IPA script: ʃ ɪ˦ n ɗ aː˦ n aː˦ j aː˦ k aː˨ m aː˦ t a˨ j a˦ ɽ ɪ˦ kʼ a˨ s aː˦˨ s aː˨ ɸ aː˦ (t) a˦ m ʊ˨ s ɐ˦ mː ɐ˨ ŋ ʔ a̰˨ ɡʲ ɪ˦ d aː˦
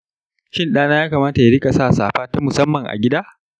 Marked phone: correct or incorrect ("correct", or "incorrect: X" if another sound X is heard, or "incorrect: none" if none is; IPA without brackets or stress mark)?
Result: correct